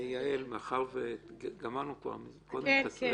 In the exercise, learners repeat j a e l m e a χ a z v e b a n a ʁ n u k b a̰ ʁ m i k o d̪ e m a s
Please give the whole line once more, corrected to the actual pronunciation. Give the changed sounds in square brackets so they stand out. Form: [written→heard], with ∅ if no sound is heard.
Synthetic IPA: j a e l m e a χ a [z→ʁ] v e [b→ɡ] a [n→m] a ʁ n u k [b→v] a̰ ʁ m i k o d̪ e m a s